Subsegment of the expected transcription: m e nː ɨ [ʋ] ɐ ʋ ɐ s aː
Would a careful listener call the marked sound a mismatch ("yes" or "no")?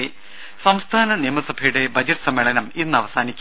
yes